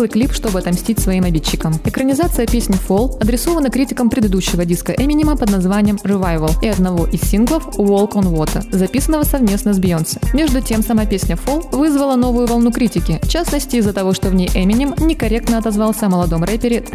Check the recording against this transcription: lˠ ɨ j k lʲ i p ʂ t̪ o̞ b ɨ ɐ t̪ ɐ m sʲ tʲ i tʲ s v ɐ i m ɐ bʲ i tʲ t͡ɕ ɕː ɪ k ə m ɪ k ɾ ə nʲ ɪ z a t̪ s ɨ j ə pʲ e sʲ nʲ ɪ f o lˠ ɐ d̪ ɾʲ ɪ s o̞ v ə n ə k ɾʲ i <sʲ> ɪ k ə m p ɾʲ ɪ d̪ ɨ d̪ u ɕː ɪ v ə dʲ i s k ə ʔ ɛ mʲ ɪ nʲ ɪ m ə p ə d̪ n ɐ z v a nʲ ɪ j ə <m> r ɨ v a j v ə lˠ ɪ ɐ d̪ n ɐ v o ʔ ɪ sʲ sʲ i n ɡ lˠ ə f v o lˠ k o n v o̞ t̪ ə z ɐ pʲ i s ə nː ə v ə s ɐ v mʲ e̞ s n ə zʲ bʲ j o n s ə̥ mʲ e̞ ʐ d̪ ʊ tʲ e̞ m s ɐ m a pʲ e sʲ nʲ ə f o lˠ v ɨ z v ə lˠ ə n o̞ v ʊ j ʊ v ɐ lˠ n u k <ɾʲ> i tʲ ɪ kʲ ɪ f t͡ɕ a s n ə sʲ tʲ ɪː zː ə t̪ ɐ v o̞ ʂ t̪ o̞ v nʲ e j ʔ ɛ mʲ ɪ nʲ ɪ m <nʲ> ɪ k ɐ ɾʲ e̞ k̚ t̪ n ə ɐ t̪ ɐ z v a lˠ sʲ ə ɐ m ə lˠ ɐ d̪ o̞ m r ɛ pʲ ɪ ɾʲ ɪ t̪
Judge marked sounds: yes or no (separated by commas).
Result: no, yes, yes, yes